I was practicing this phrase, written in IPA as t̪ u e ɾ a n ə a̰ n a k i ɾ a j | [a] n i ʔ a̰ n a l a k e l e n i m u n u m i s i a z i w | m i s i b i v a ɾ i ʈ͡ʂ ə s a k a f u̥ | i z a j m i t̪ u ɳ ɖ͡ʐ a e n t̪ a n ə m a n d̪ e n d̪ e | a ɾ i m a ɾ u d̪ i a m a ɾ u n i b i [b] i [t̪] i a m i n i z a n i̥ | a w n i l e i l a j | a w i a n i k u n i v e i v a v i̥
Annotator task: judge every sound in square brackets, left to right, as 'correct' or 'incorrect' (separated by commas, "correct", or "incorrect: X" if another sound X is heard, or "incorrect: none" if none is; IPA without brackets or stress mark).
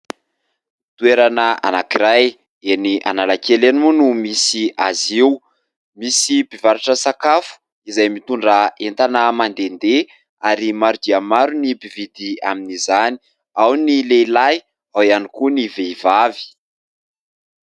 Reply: incorrect: e, incorrect: v, incorrect: d̪